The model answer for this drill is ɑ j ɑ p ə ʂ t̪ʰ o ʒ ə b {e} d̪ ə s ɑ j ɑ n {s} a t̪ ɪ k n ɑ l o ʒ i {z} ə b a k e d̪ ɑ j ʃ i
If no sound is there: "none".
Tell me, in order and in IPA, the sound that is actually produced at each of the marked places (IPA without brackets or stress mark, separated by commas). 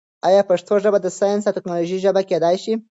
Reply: a, s, ʒ